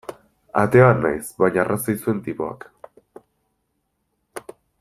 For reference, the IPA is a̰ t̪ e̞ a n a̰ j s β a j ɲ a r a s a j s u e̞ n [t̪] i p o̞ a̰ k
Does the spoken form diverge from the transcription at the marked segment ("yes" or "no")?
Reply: no